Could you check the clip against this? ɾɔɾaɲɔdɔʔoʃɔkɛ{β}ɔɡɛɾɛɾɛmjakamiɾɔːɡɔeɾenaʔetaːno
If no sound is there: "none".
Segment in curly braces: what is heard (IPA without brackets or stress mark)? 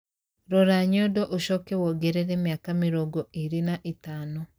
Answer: w